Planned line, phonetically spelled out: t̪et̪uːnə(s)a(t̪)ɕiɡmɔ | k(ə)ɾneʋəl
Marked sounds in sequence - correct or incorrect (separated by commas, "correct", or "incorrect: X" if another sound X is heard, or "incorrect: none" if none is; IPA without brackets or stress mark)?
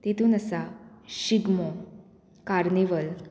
correct, incorrect: none, incorrect: a